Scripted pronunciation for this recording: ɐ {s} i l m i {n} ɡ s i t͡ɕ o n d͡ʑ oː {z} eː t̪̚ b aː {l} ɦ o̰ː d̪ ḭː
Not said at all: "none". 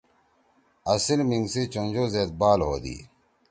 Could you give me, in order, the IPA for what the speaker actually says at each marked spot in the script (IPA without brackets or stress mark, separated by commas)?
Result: s, ŋ, z, l